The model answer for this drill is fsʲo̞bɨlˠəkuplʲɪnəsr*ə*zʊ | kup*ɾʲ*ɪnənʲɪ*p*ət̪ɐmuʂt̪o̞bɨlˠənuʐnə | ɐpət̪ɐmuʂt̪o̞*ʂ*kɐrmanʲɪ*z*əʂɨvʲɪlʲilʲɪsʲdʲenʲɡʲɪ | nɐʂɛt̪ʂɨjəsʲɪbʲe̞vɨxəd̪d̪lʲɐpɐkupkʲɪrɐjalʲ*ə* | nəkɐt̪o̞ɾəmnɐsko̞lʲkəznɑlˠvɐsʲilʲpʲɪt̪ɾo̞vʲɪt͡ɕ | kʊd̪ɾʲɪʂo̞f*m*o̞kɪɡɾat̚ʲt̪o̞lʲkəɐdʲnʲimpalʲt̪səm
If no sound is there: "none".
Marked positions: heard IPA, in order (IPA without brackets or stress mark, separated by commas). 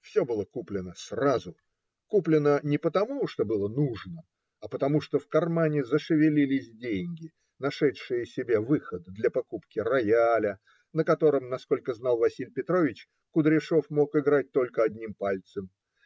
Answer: a, lʲ, p, f, z, ə, m